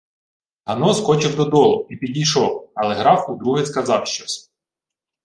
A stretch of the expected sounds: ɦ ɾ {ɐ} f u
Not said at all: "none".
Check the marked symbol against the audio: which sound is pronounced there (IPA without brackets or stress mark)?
ɑ